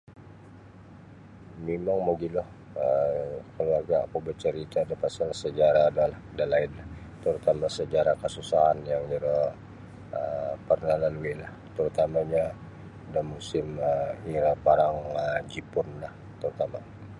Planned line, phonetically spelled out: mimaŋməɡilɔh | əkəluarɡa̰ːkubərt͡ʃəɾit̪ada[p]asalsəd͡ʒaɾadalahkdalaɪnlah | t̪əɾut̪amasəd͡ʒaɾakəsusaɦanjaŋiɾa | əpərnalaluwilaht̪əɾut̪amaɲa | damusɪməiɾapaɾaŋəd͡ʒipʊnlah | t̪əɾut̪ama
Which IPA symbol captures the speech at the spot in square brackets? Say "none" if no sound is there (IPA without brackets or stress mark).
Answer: p